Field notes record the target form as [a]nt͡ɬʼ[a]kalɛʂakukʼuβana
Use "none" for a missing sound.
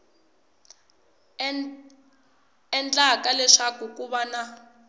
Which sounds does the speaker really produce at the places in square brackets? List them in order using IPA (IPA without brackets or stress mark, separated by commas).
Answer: ɛ, a